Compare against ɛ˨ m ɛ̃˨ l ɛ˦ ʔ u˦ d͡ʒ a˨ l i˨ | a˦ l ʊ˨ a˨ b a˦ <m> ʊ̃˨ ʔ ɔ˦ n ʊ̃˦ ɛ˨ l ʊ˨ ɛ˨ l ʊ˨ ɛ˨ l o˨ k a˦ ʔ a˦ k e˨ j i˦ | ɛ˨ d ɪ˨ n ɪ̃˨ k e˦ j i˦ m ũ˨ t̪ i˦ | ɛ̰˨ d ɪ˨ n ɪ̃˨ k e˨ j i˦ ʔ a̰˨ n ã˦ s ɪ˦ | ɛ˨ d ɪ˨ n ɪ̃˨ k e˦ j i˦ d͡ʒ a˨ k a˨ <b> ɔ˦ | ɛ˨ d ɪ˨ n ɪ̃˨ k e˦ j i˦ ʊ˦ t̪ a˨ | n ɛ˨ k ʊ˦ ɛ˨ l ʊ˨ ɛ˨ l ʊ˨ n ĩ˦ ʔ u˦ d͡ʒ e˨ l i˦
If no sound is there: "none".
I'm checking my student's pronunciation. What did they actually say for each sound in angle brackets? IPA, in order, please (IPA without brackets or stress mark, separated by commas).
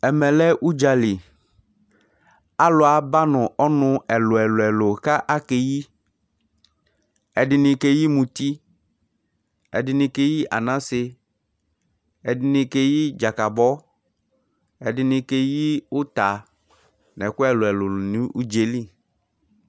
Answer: n, b